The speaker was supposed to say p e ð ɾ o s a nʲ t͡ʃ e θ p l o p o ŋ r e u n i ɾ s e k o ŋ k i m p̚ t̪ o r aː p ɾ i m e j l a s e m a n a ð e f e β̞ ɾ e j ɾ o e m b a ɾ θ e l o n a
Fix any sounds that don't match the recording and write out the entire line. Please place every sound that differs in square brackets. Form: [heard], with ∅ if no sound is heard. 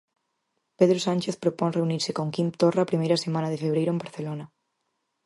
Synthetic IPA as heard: p e ð ɾ o s a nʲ t͡ʃ e θ p [ɾ] o p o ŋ r e u n i ɾ s e k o ŋ k i m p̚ t̪ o r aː p ɾ i m e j [ɾ] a s e m a n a ð e f e β̞ ɾ e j ɾ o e m b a ɾ θ e l o n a